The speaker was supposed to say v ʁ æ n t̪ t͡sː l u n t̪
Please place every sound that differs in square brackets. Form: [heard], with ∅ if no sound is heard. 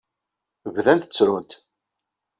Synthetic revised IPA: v [ð] æ n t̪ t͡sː [ɾ] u n t̪